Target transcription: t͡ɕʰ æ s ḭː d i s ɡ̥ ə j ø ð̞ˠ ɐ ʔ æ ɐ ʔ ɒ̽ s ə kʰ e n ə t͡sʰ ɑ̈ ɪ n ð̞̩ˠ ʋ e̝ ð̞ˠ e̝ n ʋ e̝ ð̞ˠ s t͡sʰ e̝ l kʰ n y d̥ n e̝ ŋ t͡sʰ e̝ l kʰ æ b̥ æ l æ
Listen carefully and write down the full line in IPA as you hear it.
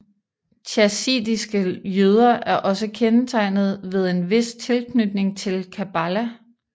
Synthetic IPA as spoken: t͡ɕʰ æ s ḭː d i s ɡ̥ ə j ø ð̞ˠ ɐ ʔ æ ɐ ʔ ɒ̽ s ə kʰ e n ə t͡sʰ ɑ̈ ɪ n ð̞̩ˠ ʋ e̝ ð̞ˠ e̝ n ʋ e̝ s t͡sʰ e̝ l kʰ n y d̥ n e̝ ŋ t͡sʰ e̝ l kʰ æ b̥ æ l æ